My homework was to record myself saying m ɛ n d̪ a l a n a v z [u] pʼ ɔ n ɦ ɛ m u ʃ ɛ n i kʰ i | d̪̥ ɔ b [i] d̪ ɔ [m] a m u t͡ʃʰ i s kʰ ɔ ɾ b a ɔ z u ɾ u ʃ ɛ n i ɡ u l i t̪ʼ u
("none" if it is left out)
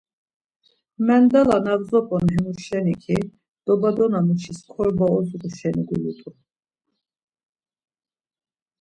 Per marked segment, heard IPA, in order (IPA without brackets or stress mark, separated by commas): ɔ, a, n